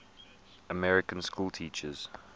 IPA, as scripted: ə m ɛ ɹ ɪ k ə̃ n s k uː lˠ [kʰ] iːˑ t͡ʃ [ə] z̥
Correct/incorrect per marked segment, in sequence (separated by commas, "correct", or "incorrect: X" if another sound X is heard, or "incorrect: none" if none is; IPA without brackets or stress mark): incorrect: tʰ, correct